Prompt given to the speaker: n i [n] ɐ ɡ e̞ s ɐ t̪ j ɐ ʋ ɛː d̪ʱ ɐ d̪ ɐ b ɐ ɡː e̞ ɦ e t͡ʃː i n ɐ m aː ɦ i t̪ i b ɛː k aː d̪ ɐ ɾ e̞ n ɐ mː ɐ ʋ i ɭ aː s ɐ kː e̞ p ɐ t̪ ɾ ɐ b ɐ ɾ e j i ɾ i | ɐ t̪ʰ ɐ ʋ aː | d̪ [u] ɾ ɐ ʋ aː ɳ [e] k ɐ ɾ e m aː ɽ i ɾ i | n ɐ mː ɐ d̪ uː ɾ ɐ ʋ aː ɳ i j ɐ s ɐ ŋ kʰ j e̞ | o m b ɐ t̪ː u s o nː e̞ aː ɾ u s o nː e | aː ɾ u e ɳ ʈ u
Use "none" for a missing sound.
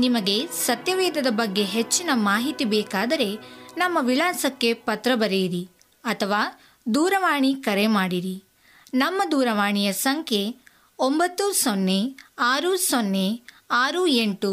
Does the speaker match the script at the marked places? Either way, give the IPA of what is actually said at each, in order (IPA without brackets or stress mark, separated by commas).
m, uː, i